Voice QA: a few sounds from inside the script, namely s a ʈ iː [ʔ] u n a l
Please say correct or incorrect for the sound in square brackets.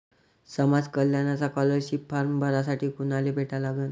incorrect